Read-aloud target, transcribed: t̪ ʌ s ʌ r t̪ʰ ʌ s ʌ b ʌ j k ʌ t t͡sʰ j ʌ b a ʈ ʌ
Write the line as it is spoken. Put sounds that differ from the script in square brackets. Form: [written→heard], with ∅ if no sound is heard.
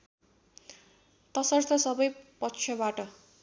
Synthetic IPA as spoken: t̪ ʌ s ʌ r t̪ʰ ʌ s ʌ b ʌ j [k→p] ʌ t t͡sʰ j ʌ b a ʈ ʌ